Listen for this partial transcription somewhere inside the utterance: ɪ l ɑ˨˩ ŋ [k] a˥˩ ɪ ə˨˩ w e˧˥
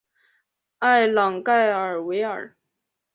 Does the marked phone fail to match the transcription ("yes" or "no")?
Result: no